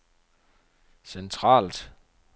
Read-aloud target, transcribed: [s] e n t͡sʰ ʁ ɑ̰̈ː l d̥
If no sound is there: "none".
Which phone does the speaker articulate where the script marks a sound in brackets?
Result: s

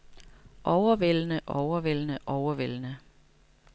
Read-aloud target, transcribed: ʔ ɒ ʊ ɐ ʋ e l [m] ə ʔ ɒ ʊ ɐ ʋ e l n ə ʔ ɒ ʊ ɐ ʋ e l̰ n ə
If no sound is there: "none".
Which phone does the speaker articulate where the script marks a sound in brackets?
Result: n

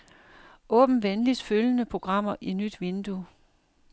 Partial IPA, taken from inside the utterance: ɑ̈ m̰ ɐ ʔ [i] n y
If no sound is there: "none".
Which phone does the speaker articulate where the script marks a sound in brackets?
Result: i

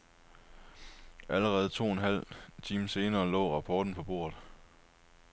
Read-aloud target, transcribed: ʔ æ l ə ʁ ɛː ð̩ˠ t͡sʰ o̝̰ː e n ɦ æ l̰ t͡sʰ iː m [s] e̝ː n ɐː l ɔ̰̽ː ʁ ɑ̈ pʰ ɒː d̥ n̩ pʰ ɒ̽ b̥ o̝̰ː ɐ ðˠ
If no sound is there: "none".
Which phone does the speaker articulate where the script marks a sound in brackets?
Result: s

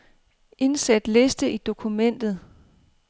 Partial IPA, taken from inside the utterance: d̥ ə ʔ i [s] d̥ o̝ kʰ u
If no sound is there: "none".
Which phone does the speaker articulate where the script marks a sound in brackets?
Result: none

